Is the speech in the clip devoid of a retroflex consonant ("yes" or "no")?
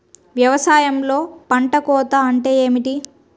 no